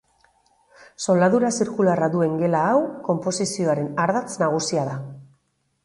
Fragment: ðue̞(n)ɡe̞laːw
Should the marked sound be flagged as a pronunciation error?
yes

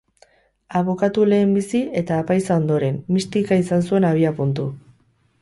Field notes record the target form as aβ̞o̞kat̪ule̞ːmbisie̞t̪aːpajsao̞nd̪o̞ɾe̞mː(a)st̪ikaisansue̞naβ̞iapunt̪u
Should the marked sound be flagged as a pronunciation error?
yes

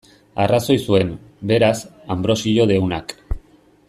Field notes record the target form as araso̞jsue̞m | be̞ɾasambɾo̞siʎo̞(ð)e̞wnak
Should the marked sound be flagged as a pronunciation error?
no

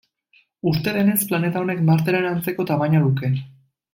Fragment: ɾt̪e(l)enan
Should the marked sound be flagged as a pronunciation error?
yes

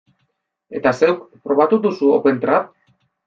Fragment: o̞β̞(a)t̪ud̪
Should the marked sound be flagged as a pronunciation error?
no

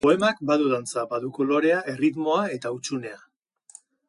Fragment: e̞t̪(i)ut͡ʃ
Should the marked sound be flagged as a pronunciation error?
yes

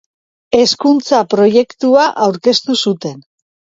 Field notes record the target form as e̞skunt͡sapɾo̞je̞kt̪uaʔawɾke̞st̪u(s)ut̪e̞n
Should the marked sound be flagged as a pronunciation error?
no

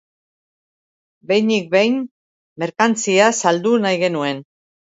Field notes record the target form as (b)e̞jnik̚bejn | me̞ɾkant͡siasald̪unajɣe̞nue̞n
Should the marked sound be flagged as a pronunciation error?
no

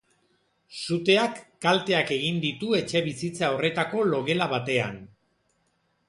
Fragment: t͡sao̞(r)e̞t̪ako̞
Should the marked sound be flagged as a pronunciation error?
no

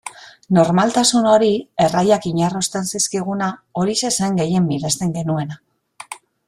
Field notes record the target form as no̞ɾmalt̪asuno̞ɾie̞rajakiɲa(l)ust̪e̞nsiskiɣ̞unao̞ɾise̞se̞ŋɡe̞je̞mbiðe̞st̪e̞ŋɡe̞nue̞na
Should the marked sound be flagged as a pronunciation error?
yes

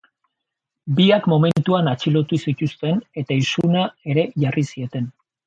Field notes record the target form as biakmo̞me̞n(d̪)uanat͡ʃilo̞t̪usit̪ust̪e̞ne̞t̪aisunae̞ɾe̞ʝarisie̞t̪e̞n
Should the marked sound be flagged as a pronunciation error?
yes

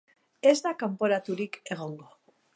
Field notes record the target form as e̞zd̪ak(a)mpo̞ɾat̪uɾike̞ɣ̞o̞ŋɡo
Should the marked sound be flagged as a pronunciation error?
no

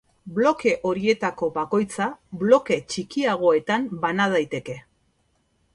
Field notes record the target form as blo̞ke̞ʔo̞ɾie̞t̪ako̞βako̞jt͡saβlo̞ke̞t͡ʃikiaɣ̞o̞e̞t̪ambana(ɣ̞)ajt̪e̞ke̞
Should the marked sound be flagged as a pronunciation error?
yes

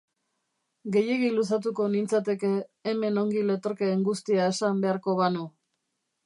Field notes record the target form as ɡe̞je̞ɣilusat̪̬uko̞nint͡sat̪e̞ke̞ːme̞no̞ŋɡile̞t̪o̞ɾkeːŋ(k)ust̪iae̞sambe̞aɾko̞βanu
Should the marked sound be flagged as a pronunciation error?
yes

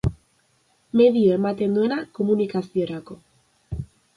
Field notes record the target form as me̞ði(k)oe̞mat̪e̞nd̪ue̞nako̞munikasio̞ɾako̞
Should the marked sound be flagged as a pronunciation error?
yes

